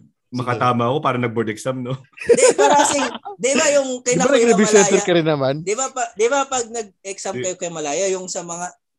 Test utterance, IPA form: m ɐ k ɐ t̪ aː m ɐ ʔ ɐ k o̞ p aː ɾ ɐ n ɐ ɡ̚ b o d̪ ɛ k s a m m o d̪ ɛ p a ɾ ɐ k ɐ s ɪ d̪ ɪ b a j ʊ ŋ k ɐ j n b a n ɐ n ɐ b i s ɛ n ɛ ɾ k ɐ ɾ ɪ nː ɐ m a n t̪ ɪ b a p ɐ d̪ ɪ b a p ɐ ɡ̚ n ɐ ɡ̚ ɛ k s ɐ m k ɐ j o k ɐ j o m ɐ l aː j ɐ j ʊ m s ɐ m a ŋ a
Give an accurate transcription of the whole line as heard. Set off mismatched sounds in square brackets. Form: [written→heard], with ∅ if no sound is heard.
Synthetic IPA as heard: m ɐ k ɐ t̪ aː m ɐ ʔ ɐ k o̞ p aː ɾ ɐ n ɐ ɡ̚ b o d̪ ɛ k s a m [m→n] o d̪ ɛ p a ɾ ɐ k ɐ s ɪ d̪ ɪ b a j ʊ ŋ k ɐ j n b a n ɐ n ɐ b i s ɛ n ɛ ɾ k ɐ ɾ ɪ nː ɐ m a n [t̪→d̪] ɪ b a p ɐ d̪ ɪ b a p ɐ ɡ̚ n ɐ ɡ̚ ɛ k s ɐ m k ɐ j o k ɐ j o m ɐ l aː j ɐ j ʊ [m→ŋ] s ɐ m [a→ɐ] ŋ a